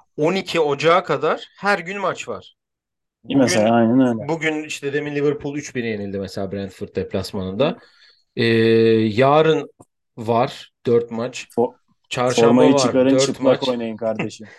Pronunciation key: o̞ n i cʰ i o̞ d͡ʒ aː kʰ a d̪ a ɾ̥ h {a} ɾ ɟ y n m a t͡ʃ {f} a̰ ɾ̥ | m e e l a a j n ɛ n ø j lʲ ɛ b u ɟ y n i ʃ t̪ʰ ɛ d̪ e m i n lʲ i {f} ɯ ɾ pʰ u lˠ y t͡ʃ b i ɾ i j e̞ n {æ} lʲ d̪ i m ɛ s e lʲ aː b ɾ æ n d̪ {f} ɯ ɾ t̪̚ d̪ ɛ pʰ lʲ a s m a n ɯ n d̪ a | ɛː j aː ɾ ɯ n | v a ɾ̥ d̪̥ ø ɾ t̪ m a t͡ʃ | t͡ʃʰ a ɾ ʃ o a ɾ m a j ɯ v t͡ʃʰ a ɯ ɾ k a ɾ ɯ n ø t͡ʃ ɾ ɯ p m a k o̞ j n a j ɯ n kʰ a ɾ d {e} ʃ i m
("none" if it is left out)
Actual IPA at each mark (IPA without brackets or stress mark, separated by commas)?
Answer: æ, v, v, i, f, e